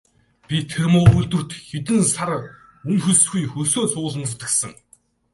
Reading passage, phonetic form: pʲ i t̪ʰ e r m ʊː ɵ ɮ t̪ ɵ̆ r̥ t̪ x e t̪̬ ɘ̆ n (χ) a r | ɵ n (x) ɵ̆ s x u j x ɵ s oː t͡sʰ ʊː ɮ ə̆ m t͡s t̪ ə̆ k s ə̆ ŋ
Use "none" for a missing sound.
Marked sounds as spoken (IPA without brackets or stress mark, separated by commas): s, x